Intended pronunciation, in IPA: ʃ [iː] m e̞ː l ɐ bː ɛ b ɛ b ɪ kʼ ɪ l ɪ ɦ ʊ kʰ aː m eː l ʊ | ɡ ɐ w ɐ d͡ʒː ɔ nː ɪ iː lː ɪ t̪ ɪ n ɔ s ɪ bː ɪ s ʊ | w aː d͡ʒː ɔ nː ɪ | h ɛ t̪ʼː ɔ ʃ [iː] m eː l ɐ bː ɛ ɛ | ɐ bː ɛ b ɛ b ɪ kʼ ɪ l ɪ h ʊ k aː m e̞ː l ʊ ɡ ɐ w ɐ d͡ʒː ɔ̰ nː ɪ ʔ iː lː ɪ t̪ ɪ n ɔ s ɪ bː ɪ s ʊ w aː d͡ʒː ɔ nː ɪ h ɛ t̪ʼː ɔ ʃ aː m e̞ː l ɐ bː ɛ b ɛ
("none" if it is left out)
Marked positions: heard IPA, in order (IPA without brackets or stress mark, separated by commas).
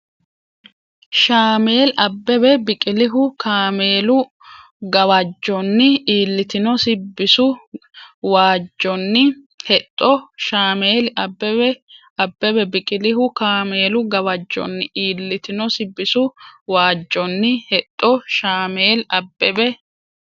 aː, aː